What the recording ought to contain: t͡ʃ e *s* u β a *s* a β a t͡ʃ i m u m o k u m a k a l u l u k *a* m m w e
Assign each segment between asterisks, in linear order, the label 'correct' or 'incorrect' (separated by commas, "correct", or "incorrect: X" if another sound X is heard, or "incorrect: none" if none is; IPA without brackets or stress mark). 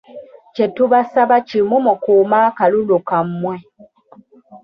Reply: incorrect: t, correct, correct